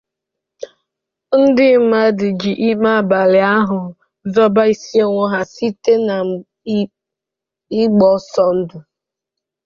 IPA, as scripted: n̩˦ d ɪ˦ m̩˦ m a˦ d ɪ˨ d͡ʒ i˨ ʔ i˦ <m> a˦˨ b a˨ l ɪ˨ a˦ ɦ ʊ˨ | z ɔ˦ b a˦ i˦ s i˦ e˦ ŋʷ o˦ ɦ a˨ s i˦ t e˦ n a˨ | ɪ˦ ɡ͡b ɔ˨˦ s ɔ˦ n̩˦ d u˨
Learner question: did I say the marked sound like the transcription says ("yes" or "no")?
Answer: yes